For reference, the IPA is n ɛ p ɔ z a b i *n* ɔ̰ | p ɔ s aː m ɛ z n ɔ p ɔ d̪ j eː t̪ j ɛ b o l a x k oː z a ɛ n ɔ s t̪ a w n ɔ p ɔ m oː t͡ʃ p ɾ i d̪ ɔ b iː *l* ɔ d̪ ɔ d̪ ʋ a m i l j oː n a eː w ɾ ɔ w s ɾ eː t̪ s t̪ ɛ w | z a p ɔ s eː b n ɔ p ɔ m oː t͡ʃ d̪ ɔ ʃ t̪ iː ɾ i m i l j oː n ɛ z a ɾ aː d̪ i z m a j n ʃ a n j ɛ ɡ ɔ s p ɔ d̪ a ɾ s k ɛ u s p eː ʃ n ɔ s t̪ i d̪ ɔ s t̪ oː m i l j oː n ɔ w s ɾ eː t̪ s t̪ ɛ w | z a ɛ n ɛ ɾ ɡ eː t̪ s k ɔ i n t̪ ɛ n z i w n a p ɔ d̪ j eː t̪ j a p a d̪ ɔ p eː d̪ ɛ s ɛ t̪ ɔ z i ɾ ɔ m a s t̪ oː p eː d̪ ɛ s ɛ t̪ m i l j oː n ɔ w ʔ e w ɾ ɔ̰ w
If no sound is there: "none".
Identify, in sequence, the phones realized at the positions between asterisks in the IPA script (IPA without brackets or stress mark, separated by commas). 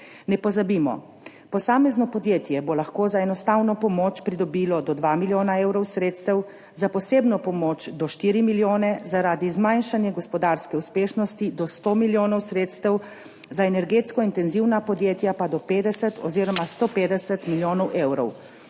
m, l